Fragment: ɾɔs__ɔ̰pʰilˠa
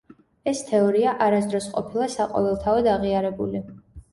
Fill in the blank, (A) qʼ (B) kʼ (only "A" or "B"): A